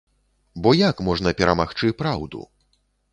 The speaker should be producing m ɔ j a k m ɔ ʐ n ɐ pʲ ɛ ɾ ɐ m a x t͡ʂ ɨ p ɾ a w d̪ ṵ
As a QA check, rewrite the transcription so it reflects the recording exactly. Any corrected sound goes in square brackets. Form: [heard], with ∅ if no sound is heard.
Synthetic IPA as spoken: [b] ɔ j a k m ɔ ʐ n ɐ pʲ ɛ ɾ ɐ m a x t͡ʂ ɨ p ɾ a w d̪ ṵ